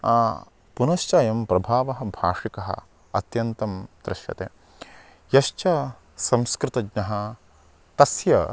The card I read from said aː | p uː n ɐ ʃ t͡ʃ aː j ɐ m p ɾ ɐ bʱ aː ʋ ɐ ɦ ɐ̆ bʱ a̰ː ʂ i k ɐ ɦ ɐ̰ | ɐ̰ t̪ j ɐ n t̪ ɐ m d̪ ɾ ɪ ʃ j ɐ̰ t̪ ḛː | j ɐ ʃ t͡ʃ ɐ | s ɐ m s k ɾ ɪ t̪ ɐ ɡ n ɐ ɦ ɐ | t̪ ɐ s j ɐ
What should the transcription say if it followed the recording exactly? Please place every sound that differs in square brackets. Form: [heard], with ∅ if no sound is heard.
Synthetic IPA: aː | p [u] n ɐ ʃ t͡ʃ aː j ɐ m p ɾ ɐ bʱ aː ʋ ɐ ɦ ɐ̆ bʱ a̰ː ʂ i k ɐ ɦ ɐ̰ | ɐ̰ t̪ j ɐ n t̪ ɐ m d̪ ɾ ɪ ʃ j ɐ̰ t̪ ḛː | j ɐ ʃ t͡ʃ ɐ | s ɐ m s k ɾ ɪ t̪ ɐ ɡ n ɐ ɦ ɐ | t̪ ɐ s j ɐ